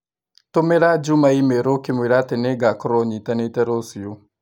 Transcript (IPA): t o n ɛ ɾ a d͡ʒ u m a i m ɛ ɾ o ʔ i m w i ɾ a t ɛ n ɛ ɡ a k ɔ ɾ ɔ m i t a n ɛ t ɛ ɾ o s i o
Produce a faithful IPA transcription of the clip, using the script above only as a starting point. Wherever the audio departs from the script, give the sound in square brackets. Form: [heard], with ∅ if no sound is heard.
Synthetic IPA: t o [m] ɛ ɾ a d͡ʒ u m a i m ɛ ɾ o [k] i m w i ɾ a t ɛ n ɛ ɡ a k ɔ ɾ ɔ [ɲ] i t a n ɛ t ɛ ɾ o s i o